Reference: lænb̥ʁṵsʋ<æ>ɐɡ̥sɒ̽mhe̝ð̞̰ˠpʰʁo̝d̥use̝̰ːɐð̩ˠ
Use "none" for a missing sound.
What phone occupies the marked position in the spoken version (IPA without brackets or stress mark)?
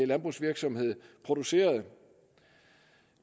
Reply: i